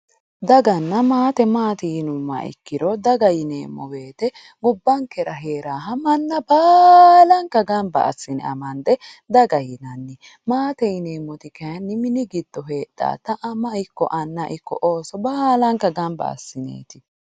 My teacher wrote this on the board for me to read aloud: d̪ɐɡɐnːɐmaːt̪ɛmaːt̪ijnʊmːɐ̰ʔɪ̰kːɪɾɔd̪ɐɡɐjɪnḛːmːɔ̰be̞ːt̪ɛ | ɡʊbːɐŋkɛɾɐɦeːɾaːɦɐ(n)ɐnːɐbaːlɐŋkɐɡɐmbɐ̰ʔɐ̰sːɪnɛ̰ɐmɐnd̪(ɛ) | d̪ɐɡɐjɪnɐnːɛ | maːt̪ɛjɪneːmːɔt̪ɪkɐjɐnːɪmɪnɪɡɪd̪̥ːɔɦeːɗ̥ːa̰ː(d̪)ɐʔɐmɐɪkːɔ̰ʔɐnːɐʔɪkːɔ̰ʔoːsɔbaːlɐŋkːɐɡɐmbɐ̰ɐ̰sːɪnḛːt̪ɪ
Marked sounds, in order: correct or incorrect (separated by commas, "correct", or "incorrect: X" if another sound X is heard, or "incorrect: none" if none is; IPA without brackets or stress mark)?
incorrect: m, correct, incorrect: t̪